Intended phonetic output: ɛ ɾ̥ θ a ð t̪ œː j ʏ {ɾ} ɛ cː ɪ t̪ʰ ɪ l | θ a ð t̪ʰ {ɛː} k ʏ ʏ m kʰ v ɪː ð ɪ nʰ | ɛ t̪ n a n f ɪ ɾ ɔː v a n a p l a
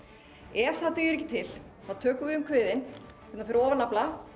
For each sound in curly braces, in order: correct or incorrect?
correct, incorrect: œː

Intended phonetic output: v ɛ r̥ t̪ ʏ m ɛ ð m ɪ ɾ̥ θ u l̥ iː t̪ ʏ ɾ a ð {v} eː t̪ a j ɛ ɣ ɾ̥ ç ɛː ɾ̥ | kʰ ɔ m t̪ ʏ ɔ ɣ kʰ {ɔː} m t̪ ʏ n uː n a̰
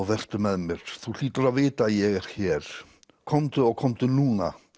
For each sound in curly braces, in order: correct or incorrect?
correct, incorrect: ɔ

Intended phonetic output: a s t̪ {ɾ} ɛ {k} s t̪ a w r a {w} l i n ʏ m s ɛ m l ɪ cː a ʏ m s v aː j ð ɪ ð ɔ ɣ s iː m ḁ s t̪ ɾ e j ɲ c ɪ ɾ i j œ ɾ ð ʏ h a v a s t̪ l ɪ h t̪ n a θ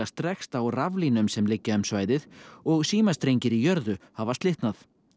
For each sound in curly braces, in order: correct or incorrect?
correct, incorrect: x, incorrect: v

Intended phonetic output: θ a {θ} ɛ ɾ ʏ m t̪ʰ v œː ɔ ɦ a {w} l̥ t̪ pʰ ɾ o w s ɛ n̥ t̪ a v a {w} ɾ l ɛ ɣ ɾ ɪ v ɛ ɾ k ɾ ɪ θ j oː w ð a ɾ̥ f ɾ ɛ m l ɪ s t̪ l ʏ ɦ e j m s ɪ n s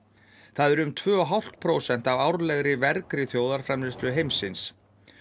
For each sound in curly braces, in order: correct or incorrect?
incorrect: ð, correct, correct

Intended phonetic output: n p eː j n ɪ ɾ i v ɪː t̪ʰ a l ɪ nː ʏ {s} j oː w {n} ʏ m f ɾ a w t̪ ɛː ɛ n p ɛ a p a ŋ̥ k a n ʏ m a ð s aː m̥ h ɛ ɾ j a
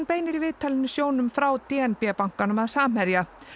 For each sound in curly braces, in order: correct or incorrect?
correct, correct

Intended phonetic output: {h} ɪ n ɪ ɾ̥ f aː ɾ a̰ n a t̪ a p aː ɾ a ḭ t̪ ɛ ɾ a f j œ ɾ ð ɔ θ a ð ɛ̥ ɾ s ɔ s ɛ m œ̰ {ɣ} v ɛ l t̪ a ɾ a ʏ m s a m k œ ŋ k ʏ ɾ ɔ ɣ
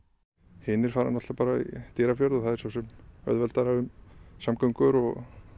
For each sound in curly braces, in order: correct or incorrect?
correct, incorrect: ð

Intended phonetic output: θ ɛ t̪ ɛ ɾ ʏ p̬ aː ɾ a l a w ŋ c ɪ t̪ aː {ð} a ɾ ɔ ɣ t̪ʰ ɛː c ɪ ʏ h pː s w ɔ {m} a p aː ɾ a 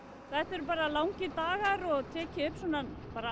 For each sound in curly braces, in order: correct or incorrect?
incorrect: ɣ, incorrect: n

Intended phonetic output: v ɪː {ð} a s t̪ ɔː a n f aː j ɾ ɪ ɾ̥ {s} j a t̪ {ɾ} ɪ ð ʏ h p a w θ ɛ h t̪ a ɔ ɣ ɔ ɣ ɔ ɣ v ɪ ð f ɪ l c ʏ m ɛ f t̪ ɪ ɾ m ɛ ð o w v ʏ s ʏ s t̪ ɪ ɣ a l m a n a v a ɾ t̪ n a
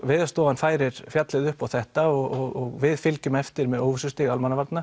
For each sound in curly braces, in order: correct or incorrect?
correct, incorrect: f, incorrect: l

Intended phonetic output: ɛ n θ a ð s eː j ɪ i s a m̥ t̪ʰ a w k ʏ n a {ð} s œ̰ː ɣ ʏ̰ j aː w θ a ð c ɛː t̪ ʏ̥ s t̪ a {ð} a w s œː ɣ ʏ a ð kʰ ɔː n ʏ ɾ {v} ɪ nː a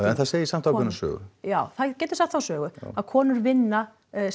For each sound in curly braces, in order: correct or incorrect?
incorrect: none, incorrect: θ, correct

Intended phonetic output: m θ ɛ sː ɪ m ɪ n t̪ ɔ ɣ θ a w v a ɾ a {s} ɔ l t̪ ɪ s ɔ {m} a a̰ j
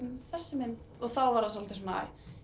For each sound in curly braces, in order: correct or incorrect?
correct, incorrect: n

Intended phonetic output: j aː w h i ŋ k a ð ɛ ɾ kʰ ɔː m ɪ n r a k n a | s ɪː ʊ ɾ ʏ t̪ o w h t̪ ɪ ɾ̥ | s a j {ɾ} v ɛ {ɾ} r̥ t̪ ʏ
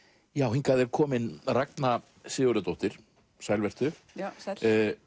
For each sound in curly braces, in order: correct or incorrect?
incorrect: l, incorrect: none

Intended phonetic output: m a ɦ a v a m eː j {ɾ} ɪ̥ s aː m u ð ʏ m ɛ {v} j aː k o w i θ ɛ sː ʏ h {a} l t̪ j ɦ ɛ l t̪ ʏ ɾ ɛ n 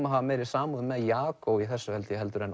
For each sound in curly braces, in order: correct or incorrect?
correct, incorrect: ð, incorrect: ɛ

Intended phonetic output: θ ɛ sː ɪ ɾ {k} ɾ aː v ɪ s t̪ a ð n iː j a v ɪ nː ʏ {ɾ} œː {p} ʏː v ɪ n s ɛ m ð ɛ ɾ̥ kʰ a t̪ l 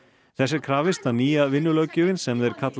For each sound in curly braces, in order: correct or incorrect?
incorrect: kʰ, incorrect: l, incorrect: c

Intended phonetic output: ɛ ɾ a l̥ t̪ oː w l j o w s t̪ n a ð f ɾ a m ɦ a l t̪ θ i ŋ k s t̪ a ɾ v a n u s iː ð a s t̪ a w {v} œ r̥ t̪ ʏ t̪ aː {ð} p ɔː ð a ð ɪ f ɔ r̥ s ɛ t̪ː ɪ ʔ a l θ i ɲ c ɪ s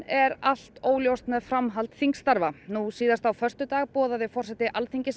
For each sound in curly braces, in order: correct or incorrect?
incorrect: f, incorrect: ɣ

